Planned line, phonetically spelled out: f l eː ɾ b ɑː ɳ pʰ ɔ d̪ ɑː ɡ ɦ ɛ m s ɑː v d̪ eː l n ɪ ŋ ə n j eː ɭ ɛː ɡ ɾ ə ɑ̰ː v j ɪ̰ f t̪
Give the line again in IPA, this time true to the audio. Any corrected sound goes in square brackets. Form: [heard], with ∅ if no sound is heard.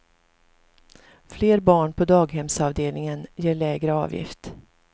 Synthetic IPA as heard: f l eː ɾ b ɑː ɳ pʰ ɔ d̪ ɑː ɡ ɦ ɛ m s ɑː v d̪ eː l n ɪ ŋ ə n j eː ɭ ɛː ɡ ɾ ə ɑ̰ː v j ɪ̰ f t̪